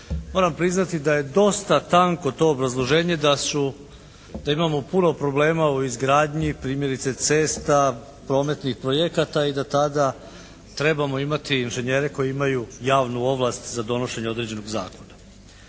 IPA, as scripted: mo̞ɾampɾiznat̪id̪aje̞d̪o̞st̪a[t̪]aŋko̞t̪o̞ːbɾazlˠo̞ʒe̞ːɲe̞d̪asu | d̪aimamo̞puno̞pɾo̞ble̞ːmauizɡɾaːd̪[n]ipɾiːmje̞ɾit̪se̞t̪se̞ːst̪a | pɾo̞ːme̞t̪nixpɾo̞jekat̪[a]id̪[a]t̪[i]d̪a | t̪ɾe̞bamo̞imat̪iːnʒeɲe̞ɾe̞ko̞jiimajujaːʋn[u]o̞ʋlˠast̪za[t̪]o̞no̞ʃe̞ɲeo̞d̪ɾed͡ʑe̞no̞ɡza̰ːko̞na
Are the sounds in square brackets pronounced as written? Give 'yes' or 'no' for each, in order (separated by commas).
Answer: yes, no, yes, yes, no, yes, no